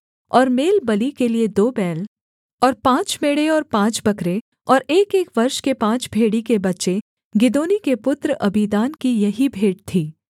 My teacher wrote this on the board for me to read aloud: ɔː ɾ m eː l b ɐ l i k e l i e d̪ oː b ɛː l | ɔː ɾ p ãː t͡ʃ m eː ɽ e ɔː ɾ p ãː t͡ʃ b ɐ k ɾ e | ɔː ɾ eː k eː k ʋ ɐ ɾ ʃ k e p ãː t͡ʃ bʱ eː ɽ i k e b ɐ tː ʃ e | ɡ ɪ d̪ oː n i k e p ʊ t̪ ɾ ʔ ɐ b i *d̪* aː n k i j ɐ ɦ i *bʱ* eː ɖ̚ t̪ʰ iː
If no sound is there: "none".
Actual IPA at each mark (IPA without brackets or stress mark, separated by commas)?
d̪, bʱ